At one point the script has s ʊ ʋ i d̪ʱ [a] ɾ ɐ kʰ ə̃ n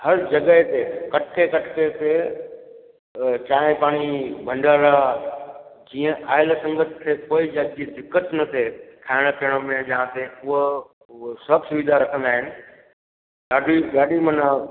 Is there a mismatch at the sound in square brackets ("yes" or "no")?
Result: no